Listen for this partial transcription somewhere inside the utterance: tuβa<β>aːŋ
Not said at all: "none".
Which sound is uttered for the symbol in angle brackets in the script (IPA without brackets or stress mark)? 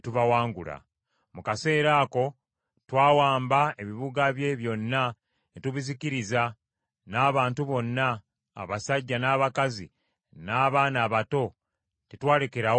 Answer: w